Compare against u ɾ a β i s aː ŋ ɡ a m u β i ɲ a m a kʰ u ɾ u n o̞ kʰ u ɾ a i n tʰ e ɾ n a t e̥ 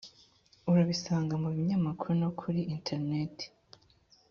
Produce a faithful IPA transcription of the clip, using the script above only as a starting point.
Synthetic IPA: u ɾ a β i s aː ŋ ɡ a m u β i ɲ a m a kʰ u ɾ u n o̞ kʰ u ɾ i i n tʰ e ɾ n e t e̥